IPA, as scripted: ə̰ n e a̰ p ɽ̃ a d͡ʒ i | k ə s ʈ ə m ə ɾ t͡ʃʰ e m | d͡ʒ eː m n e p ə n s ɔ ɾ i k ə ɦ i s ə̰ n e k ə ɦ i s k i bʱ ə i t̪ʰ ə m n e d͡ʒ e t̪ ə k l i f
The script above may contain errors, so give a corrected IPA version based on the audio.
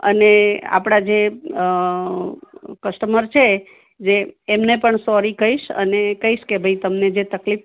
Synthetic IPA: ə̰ n e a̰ p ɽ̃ a d͡ʒ e | k ə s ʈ ə m ə ɾ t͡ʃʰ e | d͡ʒ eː m n e p ə ɳ s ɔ ɾ i k ə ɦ i ʃ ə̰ n e k ə ɦ i ʃ k e bʱ ə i t̪ ə m n e d͡ʒ e t̪ ə k l i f